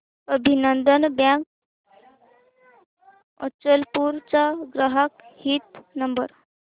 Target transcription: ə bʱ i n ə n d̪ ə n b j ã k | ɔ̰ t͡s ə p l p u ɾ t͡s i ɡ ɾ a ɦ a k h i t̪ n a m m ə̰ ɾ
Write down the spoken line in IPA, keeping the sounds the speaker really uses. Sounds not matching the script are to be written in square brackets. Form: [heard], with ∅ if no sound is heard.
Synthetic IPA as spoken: ə bʱ i n ə n d̪ ə n b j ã k | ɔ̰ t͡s ə [∅] l p u ɾ t͡s [a] ɡ ɾ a ɦ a k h i t̪ n [ə] m [b] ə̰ ɾ